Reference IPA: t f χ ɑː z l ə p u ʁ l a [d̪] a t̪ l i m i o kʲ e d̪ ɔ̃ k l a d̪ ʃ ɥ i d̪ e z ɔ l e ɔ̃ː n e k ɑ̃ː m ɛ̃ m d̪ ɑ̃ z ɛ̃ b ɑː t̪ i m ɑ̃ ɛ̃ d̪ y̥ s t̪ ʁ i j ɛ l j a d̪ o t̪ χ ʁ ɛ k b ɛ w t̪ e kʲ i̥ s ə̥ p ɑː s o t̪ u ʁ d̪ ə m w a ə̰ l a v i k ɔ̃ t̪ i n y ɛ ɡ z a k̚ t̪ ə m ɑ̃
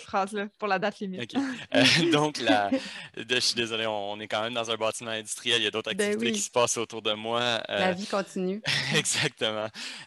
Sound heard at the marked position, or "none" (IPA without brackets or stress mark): d̪